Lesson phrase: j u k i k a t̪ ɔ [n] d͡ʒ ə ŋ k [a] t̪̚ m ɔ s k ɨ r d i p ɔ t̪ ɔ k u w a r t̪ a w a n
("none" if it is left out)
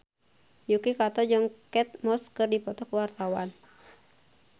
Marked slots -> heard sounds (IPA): none, ɛ

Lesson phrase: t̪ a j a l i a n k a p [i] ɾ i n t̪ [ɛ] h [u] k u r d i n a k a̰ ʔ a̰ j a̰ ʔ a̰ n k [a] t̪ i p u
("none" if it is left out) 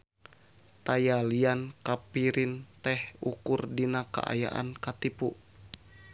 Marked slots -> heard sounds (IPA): i, ɛ, u, a

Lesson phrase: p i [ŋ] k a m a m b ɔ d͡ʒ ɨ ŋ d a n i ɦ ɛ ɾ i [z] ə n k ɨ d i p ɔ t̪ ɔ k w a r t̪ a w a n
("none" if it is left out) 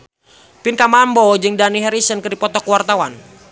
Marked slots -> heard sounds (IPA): n, s

